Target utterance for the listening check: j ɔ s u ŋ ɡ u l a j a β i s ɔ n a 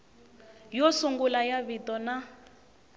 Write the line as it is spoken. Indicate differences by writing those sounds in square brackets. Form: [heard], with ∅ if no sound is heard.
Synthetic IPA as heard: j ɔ s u ŋ ɡ u l a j a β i [t] ɔ n a